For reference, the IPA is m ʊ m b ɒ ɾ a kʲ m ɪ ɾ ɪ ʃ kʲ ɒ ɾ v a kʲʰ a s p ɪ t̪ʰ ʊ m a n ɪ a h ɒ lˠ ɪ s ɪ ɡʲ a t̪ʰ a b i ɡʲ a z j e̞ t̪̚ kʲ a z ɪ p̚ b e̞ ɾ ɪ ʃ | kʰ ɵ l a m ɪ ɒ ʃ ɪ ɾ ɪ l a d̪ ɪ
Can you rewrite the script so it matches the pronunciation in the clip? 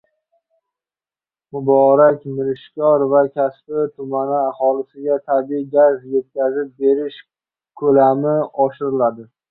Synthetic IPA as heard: m ʊ b ɒ ɾ a kʲ m ɪ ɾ ɪ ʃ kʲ ɒ ɾ v a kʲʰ a s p ɪ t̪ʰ ʊ m a n ɪ a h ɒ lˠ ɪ s ɪ ɡʲ a t̪ʰ a b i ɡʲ a z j e̞ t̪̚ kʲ a z ɪ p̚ b e̞ ɾ ɪ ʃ | kʰ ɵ l a m ɪ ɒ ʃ ɪ ɾ ɪ l a d̪ ɪ